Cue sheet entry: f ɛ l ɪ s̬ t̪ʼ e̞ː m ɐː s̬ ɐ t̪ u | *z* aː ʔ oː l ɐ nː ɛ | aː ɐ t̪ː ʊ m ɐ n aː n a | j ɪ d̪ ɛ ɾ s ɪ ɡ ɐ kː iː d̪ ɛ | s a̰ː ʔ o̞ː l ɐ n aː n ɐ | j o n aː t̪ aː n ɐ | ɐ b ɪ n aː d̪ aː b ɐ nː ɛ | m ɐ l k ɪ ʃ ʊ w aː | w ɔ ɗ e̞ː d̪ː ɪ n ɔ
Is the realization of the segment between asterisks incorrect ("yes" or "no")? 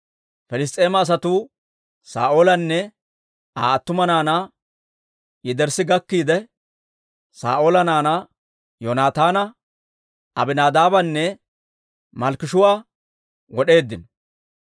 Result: yes